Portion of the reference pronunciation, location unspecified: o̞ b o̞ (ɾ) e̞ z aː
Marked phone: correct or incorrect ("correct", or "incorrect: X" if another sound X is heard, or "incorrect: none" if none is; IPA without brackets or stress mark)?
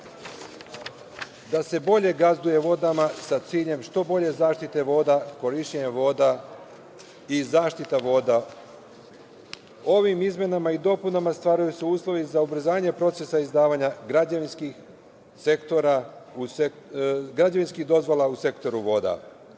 incorrect: ʎ